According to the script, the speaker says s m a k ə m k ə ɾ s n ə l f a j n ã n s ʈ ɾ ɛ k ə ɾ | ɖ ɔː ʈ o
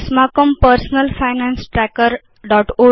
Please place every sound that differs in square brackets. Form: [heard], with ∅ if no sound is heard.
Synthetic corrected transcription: s m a k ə m [p] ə ɾ s n ə l f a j n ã n s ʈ ɾ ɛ k ə ɾ | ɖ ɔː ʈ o